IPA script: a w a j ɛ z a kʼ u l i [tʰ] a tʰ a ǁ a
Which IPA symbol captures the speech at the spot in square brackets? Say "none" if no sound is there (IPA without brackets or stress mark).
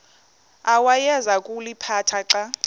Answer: pʰ